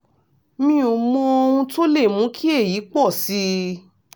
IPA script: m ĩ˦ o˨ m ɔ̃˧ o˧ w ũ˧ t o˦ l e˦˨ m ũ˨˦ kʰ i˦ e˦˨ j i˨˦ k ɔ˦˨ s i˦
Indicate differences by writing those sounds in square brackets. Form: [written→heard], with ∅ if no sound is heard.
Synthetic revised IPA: m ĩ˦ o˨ m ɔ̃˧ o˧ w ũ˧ t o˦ l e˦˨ m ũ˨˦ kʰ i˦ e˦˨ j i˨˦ [k→k͡p] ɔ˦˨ s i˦